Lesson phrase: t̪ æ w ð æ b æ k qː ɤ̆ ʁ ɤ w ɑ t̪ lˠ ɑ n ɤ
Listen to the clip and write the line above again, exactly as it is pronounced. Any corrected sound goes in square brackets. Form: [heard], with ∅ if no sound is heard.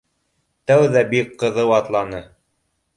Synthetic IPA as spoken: t̪ æ w ð æ b [i] k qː ɤ̆ [ð] ɤ w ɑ t̪ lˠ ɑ n ɤ